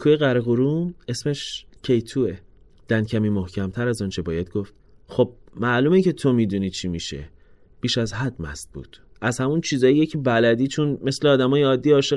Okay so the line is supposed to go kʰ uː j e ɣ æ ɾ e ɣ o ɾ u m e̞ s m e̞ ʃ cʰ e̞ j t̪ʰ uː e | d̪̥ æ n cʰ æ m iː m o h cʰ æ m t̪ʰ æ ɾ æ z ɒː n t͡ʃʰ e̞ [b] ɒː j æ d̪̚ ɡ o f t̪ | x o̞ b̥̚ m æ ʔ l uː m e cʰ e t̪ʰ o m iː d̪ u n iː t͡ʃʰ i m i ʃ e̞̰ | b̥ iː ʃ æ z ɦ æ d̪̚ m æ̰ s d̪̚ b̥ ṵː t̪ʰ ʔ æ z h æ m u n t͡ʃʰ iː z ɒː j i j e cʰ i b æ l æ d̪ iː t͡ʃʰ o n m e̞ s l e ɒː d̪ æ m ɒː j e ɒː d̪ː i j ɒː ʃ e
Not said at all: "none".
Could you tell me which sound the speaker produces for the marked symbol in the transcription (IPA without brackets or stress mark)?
b